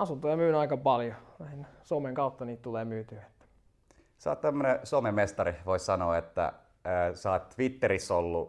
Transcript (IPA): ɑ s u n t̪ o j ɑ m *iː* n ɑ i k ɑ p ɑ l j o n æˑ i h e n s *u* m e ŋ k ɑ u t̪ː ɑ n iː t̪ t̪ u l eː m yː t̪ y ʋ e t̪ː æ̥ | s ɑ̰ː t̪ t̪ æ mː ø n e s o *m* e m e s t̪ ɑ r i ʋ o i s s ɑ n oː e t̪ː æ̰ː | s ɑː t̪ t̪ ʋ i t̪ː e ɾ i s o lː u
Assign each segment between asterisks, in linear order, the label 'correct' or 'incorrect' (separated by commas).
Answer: incorrect, incorrect, correct